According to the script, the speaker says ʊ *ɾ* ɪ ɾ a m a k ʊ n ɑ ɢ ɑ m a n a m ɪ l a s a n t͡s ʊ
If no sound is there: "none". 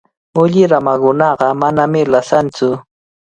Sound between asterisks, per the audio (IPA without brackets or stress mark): ʎ